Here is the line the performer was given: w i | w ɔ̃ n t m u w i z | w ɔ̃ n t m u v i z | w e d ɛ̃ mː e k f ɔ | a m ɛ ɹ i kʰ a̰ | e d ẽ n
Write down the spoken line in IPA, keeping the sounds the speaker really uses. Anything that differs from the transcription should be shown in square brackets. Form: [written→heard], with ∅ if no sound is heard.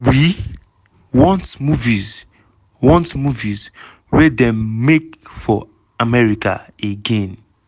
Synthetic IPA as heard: w i | w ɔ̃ n t m u [w→v] i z | w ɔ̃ n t m u v i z | w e d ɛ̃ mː e k f ɔ | a m ɛ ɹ i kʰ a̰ | e [d→ɡ] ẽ n